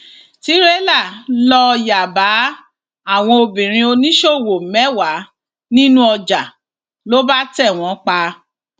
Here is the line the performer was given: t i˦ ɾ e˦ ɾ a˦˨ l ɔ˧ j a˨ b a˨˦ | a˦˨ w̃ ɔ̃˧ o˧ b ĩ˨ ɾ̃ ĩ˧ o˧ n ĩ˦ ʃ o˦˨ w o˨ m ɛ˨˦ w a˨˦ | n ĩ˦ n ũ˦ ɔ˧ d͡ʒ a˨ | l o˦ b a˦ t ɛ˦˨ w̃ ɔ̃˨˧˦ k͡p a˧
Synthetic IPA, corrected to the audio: t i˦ ɾ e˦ l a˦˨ l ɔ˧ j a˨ b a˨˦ | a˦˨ w̃ ɔ̃˧ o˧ b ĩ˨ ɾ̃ ĩ˧ o˧ n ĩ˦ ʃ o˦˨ w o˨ m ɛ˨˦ w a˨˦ | n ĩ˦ n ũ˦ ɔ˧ d͡ʒ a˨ | l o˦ b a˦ t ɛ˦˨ w̃ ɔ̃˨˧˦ k͡p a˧